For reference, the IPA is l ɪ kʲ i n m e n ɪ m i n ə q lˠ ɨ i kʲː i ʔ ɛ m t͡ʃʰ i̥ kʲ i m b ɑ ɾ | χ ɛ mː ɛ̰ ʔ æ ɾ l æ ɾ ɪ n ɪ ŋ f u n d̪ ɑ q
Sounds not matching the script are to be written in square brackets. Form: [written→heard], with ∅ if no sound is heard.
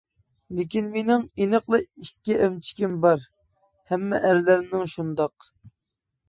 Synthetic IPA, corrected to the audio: l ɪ kʲ i n m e n ɪ [m→ŋ] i n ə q lˠ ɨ i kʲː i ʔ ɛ m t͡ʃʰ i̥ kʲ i m b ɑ ɾ | [χ→h] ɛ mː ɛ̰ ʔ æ ɾ l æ ɾ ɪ n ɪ ŋ [f→ʃ] u n d̪ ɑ q